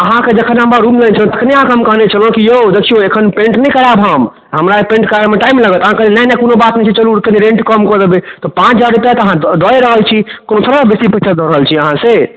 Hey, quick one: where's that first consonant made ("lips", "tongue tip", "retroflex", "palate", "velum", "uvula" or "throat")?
throat